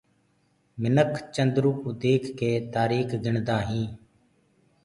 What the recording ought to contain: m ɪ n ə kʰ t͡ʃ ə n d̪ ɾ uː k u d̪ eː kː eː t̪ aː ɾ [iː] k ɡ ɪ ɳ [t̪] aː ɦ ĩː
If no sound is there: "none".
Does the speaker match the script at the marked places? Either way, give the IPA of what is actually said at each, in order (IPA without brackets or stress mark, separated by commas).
iː, d̪